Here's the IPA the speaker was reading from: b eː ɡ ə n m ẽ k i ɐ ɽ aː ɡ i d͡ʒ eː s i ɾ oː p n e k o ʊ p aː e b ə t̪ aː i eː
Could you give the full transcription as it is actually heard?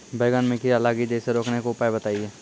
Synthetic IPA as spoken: b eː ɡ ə n m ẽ k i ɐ l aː ɡ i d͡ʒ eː s e ɾ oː k n e k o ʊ p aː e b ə t̪ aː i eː